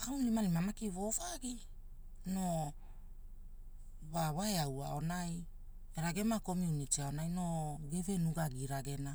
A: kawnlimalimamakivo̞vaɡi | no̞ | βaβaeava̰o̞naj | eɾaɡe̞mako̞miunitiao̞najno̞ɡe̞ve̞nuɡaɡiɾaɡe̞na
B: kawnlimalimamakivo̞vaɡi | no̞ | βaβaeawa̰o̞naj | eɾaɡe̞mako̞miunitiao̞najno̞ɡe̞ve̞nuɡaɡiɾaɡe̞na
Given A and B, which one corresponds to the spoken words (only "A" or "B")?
B